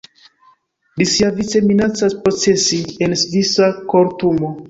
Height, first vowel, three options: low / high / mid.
high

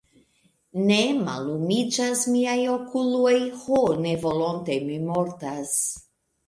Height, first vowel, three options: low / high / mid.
mid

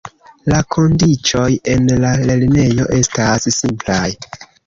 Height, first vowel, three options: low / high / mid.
low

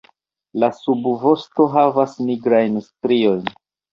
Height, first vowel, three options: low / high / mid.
low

